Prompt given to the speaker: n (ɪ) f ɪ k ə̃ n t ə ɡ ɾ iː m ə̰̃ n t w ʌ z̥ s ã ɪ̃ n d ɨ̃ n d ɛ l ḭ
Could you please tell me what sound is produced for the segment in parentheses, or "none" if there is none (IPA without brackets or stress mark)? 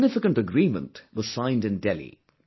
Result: ɪ